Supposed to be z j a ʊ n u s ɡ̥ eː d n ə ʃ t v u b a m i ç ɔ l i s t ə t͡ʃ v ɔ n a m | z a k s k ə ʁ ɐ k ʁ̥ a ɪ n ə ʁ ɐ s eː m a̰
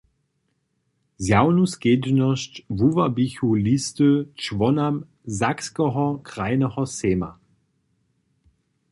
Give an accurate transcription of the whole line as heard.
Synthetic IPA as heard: z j a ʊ n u s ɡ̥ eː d n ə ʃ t v u v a b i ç u l i s t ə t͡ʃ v ɔ n a m | z a k s k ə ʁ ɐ k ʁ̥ a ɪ n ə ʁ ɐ s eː m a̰